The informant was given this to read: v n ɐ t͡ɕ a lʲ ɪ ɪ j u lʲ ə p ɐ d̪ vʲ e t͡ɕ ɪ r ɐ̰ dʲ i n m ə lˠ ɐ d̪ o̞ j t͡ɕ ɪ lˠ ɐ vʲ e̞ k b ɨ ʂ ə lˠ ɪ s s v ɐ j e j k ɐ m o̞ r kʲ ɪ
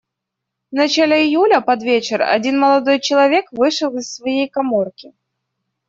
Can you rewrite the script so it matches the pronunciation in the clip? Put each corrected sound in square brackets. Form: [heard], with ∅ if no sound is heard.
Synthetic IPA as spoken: v n ɐ t͡ɕ a lʲ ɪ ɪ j u lʲ ə p ɐ d̪ vʲ e t͡ɕ ɪ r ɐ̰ dʲ i n m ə lˠ ɐ d̪ o̞ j t͡ɕ ɪ lˠ ɐ vʲ e̞ k [v] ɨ ʂ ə lˠ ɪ s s v ɐ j e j k ɐ m o̞ r kʲ ɪ